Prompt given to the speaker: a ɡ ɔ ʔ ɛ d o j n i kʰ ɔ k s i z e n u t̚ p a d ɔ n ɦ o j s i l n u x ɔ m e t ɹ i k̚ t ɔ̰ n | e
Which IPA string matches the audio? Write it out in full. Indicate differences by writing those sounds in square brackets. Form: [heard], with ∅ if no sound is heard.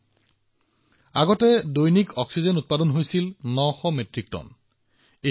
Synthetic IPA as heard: a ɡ ɔ [t] ɛ d o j n i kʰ ɔ k s i z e n u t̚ p a d ɔ n ɦ o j s i l n [ɔ] x ɔ m e t ɹ i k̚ t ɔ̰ n | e